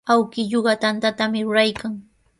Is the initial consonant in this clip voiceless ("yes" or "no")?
no